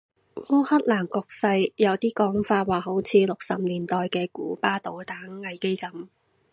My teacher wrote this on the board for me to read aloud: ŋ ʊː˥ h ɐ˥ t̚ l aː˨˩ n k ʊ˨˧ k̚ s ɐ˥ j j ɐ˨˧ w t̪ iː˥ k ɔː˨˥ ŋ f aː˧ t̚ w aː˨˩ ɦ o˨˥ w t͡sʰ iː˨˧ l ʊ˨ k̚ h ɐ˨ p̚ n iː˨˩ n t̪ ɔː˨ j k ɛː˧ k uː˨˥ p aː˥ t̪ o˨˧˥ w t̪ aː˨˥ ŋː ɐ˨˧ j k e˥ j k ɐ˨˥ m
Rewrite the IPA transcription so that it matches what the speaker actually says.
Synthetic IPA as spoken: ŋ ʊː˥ h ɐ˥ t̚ l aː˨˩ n k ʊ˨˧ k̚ s ɐ˧ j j ɐ˨˧ w t̪ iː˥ k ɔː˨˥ ŋ f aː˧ t̚ w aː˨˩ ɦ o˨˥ w t͡sʰ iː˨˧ l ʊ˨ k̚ s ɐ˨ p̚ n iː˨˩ n t̪ ɔː˨ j k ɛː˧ k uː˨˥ p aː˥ t̪ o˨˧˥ w t̪ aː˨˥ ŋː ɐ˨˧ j k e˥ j k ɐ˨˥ m